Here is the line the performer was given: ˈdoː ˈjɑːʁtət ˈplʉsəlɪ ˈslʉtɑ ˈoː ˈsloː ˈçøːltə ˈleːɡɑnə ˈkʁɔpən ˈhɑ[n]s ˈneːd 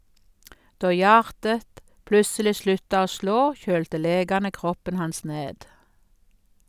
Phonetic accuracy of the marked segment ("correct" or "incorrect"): correct